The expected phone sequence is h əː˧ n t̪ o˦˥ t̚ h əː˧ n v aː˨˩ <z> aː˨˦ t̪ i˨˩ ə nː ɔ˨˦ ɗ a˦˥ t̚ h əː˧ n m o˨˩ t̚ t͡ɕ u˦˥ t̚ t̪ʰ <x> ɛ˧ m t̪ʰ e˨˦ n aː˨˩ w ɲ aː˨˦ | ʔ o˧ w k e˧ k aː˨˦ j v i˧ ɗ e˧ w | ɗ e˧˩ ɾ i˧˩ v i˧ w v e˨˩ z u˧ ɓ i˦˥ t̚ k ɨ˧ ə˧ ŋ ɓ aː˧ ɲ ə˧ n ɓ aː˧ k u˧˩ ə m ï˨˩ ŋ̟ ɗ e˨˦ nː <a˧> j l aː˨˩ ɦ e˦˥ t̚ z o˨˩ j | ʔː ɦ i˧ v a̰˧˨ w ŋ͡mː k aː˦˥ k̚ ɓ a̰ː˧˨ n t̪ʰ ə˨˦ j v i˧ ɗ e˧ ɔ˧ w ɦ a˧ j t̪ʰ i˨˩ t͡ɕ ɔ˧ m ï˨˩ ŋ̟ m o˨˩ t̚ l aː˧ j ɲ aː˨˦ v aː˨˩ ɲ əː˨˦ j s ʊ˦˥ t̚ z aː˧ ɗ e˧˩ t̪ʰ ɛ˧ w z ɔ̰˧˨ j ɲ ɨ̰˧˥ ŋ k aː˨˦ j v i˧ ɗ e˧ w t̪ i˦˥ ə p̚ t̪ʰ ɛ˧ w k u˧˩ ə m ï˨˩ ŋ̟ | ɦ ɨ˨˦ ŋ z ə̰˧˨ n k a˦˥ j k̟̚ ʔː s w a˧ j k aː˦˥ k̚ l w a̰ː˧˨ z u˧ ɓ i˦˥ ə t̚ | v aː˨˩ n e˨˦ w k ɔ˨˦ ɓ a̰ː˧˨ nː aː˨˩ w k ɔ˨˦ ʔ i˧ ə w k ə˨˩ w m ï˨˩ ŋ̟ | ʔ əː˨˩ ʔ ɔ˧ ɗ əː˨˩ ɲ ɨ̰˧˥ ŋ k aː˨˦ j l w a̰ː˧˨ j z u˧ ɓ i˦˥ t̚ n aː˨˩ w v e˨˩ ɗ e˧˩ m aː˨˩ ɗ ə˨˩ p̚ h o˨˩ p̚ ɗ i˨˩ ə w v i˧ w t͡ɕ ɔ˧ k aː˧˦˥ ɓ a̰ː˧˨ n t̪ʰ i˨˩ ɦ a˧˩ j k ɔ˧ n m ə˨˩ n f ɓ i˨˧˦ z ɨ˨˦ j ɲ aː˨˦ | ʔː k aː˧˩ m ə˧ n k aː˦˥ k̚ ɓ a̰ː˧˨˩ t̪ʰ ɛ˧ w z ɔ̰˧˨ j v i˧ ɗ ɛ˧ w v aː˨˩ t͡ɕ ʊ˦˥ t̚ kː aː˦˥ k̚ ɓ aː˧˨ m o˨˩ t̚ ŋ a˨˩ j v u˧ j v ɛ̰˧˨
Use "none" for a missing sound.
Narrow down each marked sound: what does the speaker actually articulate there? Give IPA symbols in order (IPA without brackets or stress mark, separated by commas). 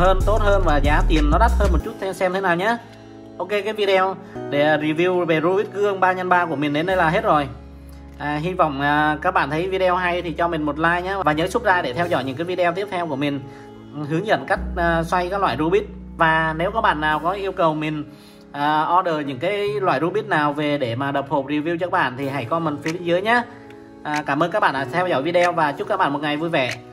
z, s, ə˧